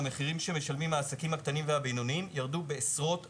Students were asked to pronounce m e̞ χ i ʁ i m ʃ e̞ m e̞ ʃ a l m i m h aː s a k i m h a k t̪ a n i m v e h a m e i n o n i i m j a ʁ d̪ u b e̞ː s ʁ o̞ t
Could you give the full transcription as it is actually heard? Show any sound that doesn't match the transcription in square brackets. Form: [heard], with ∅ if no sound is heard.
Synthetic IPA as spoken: m e̞ χ i ʁ i m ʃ e̞ m e̞ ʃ a l m i m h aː s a k i m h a k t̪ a n i m v e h a [b] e [j] n o n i i m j a ʁ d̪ u b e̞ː s ʁ o̞ t